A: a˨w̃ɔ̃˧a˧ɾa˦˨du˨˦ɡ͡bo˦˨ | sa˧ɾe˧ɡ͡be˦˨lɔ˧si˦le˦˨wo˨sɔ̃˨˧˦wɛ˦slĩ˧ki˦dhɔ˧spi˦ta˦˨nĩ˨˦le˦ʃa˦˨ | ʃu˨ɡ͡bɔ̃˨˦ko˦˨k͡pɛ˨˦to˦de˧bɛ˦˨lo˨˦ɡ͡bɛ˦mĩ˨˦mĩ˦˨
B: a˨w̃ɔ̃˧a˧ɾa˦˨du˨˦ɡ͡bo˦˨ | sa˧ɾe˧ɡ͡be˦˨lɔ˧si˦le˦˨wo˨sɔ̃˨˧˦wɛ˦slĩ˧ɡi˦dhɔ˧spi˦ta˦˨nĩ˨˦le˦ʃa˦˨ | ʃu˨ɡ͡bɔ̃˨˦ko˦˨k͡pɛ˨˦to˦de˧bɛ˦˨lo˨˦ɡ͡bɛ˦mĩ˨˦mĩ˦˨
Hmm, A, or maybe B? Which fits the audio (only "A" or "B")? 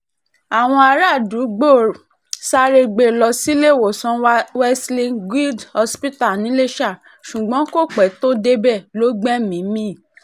B